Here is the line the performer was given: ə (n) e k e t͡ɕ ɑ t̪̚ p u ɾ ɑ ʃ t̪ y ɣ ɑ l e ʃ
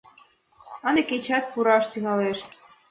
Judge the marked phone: correct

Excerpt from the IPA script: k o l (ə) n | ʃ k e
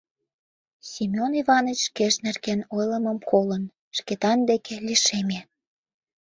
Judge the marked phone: correct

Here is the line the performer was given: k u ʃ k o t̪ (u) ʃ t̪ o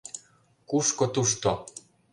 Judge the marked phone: correct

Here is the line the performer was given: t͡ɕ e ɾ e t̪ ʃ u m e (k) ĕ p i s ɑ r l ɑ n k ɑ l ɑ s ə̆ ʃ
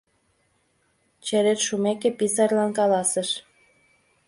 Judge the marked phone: correct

